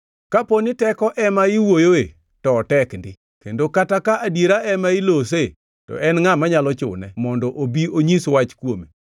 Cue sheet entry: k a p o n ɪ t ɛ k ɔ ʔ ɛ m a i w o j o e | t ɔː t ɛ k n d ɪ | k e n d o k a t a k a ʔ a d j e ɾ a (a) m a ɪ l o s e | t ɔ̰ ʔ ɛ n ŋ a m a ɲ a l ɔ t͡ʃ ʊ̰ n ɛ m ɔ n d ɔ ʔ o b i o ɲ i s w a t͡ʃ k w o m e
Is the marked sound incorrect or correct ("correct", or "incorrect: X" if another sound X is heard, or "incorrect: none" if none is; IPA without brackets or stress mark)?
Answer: incorrect: ɛ